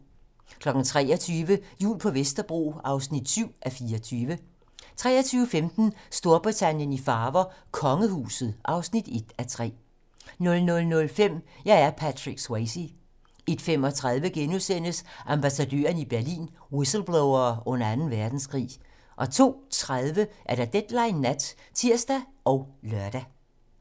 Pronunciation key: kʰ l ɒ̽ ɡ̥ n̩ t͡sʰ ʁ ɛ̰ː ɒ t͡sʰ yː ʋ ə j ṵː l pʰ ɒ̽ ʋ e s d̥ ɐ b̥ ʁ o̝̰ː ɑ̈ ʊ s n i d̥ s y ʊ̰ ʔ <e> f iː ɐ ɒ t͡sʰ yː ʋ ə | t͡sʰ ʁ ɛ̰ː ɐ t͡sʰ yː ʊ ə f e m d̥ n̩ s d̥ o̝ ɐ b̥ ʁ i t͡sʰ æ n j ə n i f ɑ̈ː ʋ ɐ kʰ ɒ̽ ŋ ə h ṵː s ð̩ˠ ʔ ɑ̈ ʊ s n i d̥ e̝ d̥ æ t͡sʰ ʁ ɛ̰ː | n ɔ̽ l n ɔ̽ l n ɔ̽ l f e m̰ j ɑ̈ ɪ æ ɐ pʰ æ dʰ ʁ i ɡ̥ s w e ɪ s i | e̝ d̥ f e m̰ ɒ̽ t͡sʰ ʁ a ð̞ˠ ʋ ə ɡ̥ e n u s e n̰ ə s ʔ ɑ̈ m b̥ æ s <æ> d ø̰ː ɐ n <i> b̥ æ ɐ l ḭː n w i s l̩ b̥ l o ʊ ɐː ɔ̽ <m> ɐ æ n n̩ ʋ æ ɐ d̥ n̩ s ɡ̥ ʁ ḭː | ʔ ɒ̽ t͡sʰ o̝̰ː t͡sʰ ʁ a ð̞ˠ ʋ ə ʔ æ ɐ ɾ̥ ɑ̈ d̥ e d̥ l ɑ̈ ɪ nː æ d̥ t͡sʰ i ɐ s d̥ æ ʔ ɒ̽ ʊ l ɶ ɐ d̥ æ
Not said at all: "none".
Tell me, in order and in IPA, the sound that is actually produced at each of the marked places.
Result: æ, æ, i, n

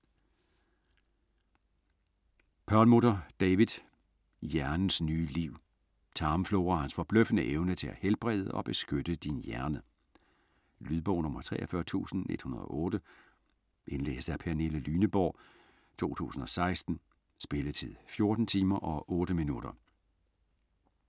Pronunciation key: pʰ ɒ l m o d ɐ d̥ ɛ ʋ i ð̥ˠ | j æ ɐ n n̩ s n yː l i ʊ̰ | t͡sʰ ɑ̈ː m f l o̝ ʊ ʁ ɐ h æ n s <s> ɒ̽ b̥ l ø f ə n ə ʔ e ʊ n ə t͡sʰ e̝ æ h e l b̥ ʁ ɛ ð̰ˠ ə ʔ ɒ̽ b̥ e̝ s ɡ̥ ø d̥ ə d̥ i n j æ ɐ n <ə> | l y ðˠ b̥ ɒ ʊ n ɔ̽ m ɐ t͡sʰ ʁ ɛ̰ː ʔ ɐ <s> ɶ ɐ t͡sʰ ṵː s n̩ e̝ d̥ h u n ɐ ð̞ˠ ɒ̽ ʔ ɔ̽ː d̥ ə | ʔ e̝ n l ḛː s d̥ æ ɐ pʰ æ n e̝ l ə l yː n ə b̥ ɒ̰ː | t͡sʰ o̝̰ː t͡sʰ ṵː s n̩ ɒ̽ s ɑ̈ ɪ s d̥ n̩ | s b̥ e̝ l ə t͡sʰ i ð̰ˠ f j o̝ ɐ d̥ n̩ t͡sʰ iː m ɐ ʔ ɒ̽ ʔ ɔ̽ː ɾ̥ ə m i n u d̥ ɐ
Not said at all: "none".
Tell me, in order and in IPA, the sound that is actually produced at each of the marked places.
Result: f, ə, f

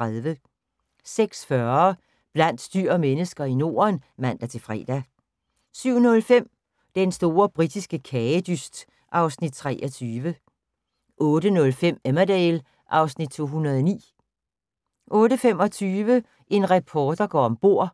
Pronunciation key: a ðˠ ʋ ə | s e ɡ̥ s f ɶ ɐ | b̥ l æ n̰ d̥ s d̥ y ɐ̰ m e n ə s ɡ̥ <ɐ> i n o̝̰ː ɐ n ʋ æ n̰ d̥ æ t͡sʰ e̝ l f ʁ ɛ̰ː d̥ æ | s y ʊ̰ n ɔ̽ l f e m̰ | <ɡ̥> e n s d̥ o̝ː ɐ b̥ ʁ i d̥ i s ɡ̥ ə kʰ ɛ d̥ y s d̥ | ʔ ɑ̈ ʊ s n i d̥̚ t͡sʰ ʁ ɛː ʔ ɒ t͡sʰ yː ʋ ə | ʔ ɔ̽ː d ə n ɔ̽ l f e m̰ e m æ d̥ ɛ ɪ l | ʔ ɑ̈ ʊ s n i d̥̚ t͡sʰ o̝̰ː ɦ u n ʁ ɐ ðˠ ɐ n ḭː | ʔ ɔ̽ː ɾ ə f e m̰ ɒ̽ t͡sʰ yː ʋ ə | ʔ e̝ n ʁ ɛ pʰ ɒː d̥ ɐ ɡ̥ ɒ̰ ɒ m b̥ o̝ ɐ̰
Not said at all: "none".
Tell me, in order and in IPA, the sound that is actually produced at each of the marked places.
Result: ɐ, d̥

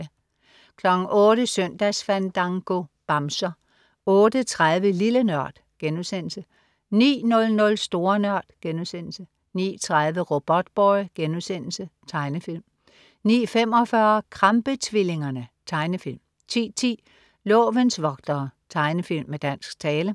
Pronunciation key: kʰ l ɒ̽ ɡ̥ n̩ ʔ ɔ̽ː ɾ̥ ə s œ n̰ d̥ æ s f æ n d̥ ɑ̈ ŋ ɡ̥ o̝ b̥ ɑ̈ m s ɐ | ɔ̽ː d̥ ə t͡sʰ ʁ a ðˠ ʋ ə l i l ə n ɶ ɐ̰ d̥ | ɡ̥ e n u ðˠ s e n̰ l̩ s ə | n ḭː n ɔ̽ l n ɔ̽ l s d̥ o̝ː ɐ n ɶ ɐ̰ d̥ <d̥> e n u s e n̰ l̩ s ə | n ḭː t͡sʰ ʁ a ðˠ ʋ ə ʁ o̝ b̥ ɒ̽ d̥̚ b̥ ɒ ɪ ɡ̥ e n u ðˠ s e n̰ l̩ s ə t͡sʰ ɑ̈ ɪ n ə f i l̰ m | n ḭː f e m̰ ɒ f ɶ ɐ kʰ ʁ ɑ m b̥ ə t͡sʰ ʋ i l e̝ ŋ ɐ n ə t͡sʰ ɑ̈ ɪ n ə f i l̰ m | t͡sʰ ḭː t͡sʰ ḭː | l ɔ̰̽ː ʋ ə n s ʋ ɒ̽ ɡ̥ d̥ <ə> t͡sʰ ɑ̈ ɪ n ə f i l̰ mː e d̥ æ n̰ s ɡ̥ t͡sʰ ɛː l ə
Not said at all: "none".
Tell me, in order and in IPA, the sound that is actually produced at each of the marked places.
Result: ɡ̥, ɐ

